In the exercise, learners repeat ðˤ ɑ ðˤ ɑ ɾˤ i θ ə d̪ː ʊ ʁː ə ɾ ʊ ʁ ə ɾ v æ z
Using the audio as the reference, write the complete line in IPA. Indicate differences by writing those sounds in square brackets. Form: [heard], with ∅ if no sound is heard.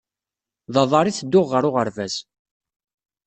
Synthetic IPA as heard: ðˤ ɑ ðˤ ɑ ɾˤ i θ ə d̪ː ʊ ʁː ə ɾ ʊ ʁ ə ɾ v æ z

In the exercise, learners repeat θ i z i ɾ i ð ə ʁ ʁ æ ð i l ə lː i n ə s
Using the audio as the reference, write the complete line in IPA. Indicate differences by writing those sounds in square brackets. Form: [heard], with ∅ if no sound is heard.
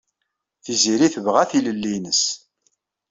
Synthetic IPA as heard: θ i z i ɾ i [θ] ə [v] ʁ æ [θ] i l ə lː i n ə s

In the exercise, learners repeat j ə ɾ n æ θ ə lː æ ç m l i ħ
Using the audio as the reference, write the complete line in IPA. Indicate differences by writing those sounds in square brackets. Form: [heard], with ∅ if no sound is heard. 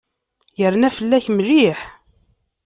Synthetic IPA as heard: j ə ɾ n æ [f] ə lː æ ç m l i ħ

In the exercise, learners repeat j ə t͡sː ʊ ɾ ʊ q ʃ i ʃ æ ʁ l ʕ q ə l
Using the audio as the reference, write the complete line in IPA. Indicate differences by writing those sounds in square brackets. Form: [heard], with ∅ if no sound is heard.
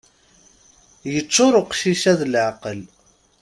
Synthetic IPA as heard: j ə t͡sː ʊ ɾ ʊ q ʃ i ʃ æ [ð] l ʕ q ə l

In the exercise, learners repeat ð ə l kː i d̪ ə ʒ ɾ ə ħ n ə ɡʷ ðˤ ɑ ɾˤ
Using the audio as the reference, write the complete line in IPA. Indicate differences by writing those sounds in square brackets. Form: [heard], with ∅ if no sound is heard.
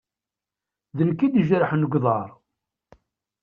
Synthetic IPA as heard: ð ə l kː i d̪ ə ʒ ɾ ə ħ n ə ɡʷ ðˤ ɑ ɾˤ

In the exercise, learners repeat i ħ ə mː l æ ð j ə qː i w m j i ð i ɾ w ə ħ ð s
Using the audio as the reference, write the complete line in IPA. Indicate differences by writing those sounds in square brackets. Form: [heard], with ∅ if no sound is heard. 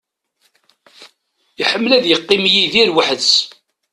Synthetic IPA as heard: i ħ ə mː l æ ð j ə qː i [∅] m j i ð i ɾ w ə ħ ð s

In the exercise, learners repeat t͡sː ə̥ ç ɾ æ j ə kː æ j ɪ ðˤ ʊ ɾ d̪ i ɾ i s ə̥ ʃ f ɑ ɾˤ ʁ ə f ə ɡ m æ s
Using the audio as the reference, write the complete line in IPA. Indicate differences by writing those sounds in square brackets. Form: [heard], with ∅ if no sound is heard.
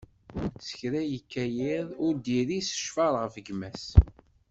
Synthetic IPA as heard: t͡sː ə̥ ç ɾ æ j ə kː æ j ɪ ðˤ ʊ ɾ d̪ i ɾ i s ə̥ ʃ f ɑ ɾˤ ʁ ə f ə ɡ m æ s

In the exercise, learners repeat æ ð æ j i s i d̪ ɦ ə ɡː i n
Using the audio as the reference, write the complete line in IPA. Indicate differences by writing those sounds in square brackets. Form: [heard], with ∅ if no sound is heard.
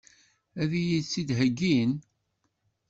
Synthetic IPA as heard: æ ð [i] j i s i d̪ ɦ ə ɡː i n

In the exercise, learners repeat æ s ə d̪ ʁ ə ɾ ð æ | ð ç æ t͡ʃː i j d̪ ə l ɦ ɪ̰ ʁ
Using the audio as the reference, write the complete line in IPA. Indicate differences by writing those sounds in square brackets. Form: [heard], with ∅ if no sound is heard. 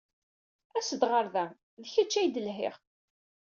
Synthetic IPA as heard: æ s ə d̪ ʁ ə ɾ ð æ | ð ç æ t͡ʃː [æ] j d̪ ə l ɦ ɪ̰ ʁ

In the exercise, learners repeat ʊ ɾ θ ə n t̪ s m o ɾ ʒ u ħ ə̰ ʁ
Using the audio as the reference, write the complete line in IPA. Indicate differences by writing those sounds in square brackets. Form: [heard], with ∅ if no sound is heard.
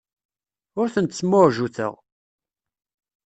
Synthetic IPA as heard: ʊ ɾ θ ə n t̪ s m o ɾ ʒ u [θ] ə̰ ʁ

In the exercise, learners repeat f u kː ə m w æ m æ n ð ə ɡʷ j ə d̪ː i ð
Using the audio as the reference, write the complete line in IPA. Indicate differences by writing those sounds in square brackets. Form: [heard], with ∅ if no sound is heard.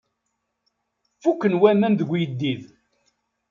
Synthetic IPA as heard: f u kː ə [n] w æ m æ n ð ə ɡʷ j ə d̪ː i ð

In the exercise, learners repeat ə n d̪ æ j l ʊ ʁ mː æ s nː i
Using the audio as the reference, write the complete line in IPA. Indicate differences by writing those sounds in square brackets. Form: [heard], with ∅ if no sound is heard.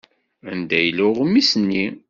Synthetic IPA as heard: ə n d̪ æ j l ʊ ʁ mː [i] s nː i

